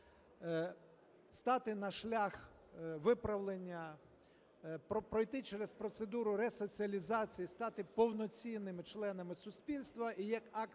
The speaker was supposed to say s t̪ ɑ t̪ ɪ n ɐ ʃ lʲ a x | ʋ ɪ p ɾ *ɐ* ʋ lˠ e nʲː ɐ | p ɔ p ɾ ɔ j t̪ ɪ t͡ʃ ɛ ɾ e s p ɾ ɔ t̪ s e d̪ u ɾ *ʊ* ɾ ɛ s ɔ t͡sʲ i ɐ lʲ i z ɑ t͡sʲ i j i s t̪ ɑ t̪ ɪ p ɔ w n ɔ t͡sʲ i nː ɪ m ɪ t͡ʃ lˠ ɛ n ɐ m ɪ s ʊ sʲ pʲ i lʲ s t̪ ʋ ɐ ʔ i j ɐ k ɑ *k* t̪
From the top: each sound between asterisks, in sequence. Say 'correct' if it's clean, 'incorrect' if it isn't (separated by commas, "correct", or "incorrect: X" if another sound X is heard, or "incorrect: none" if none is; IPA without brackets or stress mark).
correct, correct, correct